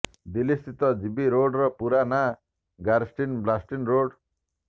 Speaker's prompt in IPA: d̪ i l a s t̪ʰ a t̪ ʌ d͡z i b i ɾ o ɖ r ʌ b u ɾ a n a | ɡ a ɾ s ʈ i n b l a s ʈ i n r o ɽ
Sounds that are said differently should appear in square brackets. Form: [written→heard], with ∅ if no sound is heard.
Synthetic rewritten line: d̪ i l [a→i] s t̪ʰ [a→i] t̪ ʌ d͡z i b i ɾ o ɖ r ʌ [b→p] u ɾ a n a | ɡ a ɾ s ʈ i n b l a s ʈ i n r o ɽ